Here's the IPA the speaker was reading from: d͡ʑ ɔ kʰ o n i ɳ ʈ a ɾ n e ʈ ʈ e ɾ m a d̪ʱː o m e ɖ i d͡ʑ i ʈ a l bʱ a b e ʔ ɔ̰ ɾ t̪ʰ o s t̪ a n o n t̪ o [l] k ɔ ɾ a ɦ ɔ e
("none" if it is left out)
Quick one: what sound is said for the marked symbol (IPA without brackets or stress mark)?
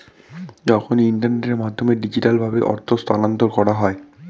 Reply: ɾ